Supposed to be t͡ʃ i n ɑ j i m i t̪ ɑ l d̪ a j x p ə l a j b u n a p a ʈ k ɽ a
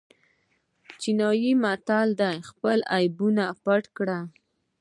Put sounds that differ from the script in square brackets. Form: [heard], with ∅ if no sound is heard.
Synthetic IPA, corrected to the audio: t͡ʃ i n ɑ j i m [a] t̪ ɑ l d̪ a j x p ə l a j b u n a p a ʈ k ɽ a